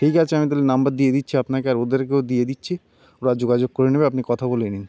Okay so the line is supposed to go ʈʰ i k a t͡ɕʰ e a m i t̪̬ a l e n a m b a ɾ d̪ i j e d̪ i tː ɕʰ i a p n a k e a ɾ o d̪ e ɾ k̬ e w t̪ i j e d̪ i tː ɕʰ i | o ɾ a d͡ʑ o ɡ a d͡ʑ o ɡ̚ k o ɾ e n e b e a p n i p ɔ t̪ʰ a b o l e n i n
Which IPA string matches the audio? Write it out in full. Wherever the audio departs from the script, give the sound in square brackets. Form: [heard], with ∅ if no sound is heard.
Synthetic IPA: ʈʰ i k a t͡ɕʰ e a m i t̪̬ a l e n a m b a ɾ d̪ i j e d̪ i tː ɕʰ i a p n a k e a ɾ o d̪ e ɾ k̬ e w [d̪] i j e d̪ i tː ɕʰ i | o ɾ a d͡ʑ o ɡ a d͡ʑ o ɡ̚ k o ɾ e n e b e a p n i [k] ɔ t̪ʰ a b o l e n i n